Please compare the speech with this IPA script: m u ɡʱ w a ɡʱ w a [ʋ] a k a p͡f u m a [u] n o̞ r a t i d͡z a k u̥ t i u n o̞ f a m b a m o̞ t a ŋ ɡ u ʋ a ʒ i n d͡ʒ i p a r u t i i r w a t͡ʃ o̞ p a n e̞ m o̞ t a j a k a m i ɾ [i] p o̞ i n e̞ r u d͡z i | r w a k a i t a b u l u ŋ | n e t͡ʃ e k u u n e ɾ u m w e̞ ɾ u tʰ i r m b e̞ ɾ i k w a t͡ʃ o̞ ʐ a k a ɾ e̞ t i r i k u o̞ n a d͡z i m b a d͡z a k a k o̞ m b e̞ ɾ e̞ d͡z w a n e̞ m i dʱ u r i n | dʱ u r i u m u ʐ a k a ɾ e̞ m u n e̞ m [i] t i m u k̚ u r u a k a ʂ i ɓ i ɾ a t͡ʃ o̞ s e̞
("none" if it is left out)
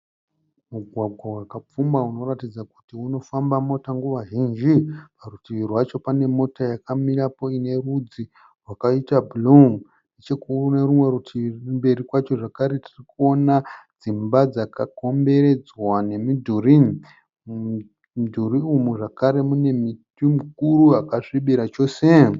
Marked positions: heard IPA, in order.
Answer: w, u, a, i

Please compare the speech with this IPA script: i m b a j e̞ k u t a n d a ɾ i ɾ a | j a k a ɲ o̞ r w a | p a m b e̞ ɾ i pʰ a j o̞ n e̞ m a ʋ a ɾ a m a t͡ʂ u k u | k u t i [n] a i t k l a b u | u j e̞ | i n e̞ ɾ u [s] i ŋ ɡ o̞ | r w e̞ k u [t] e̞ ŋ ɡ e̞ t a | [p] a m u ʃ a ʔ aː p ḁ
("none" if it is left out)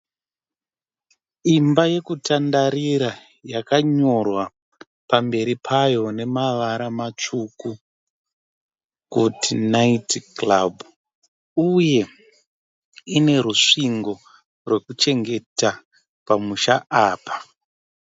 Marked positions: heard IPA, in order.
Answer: n, ʂ, t͡ʃ, p

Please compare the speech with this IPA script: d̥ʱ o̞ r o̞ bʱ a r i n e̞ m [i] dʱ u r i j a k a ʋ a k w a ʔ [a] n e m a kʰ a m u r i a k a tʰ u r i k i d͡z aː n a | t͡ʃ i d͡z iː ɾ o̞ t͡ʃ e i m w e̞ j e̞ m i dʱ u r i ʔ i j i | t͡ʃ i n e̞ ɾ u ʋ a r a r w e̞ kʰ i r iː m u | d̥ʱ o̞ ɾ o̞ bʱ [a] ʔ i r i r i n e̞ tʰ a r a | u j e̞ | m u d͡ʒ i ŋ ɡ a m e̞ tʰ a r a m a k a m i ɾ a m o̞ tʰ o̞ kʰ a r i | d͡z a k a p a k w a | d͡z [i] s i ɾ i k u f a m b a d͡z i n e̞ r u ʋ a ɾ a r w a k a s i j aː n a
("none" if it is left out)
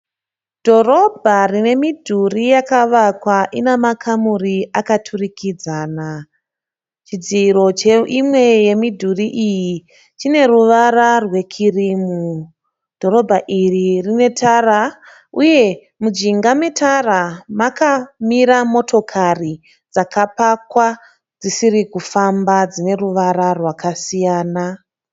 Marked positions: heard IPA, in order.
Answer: i, i, a, i

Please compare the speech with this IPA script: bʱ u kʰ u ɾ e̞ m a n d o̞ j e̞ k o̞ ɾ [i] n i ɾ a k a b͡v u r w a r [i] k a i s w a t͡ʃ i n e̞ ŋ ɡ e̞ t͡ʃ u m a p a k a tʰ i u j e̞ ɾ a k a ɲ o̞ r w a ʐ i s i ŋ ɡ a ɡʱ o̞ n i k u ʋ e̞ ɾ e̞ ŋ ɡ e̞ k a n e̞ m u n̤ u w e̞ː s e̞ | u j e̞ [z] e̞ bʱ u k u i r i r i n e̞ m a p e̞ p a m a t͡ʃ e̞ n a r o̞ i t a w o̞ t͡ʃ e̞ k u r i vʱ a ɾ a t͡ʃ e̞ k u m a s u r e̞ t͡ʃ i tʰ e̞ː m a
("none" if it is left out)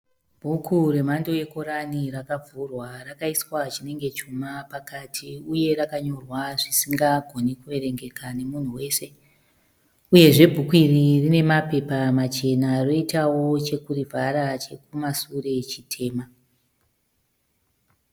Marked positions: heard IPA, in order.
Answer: a, a, ʐ

